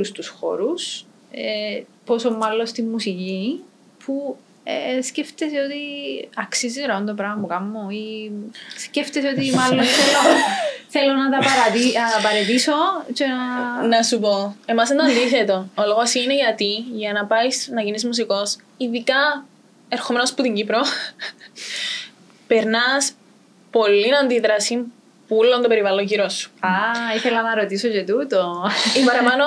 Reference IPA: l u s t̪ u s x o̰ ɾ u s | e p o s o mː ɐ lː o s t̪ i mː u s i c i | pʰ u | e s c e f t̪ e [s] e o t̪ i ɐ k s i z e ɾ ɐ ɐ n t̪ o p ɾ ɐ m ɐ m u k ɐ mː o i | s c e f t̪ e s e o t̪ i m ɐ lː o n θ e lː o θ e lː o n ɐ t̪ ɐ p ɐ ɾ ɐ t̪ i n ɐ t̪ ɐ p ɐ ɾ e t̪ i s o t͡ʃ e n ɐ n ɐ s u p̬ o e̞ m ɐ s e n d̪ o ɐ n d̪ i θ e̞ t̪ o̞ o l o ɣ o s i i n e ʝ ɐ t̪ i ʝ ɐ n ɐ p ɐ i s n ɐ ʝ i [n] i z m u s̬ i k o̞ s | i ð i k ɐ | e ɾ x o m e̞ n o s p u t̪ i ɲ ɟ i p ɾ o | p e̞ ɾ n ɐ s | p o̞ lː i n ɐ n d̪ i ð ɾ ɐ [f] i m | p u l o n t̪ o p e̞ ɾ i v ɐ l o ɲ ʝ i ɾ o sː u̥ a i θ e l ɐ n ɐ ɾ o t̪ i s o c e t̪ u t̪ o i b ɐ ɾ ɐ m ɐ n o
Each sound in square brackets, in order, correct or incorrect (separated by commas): correct, correct, incorrect